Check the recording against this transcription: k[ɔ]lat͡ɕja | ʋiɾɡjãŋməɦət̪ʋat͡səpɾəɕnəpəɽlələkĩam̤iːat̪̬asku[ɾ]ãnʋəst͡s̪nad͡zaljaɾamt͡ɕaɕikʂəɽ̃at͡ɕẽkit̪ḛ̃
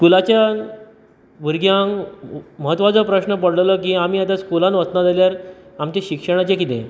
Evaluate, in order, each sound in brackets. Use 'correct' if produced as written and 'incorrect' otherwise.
incorrect, incorrect

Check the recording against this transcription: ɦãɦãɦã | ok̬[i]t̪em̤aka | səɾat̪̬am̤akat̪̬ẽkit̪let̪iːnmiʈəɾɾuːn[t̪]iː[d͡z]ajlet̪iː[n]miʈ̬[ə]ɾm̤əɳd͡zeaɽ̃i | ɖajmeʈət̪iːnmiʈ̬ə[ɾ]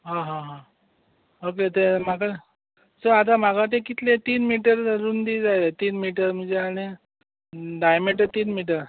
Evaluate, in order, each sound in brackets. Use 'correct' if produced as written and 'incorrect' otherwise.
incorrect, incorrect, correct, correct, correct, correct

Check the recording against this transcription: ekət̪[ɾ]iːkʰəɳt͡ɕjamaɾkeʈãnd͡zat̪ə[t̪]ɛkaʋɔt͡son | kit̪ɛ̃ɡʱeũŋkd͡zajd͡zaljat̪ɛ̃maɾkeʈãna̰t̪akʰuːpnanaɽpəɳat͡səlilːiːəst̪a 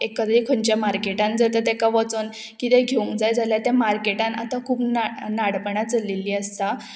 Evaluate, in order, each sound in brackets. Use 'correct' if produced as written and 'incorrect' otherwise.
correct, correct

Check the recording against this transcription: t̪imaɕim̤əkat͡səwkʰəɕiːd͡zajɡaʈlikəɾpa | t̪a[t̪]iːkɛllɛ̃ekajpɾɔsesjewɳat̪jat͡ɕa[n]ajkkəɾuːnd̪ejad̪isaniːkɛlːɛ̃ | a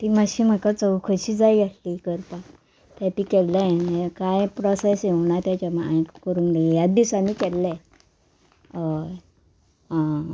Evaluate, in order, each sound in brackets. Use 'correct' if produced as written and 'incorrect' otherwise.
correct, incorrect

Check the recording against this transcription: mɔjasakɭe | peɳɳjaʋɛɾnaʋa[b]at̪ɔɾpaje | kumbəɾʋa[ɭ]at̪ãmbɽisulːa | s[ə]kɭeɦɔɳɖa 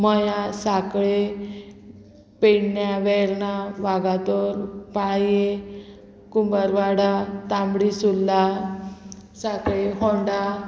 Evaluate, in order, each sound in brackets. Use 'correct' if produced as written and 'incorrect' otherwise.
incorrect, incorrect, incorrect

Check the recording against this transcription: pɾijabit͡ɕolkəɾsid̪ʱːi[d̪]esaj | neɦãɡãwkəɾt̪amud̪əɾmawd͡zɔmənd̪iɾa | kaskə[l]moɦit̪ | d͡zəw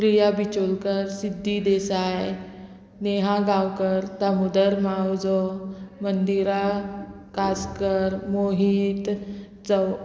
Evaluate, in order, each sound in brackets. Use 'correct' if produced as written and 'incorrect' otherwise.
correct, incorrect

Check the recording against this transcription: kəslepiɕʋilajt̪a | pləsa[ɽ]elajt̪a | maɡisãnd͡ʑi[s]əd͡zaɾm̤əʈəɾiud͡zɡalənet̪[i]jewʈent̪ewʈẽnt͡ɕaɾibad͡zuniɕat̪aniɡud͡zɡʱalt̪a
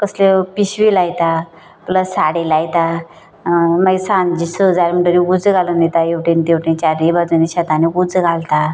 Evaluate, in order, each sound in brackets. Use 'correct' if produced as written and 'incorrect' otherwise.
correct, correct, incorrect

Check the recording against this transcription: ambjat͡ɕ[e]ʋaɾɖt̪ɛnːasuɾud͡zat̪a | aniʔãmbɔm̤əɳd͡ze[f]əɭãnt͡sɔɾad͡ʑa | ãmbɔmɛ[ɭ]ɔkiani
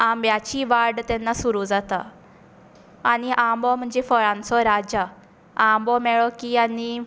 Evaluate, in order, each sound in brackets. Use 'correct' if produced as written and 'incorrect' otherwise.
incorrect, correct, correct

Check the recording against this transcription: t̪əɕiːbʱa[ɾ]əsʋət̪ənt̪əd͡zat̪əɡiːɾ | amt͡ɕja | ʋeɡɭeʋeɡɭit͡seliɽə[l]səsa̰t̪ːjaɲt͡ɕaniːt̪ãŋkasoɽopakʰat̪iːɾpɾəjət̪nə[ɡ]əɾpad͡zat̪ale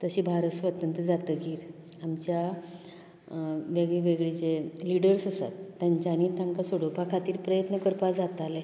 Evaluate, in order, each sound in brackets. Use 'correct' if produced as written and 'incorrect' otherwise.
correct, incorrect, incorrect

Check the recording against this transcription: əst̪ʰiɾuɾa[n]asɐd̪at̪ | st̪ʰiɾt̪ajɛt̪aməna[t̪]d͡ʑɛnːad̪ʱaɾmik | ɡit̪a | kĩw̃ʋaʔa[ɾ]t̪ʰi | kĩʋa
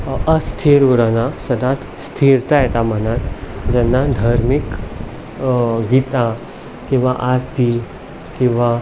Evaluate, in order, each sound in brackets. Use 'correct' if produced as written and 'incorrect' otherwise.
correct, correct, correct

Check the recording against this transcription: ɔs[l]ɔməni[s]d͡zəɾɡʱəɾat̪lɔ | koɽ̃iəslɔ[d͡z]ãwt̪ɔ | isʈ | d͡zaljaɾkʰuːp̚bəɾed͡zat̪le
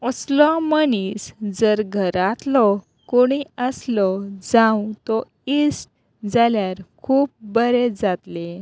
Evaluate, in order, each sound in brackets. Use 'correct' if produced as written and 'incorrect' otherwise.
correct, correct, correct

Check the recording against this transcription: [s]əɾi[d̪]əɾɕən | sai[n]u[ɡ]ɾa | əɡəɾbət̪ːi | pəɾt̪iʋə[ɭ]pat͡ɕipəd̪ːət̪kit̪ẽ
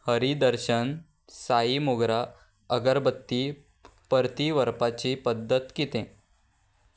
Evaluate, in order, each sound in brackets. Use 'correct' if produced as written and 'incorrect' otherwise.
incorrect, correct, incorrect, correct, incorrect

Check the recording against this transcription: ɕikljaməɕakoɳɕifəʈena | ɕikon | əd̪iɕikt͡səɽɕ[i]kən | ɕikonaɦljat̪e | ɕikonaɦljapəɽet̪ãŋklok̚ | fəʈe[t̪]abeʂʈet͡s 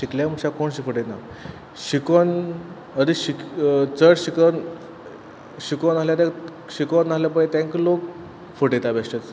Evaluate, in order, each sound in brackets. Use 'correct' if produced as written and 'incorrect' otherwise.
correct, correct

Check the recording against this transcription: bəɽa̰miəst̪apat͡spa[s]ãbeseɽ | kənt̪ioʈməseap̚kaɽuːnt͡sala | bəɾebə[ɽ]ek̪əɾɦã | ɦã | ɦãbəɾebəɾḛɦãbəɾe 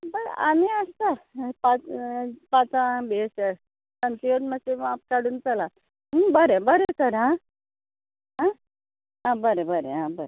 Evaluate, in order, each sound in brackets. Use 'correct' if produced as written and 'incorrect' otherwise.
incorrect, incorrect

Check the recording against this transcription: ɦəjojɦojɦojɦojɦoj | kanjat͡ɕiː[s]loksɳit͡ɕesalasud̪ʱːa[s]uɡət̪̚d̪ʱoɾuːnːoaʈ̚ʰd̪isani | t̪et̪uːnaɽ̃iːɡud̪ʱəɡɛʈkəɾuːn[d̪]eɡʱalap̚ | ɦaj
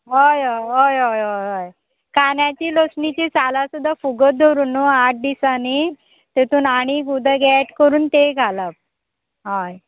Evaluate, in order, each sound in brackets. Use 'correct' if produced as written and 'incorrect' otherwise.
incorrect, incorrect, incorrect

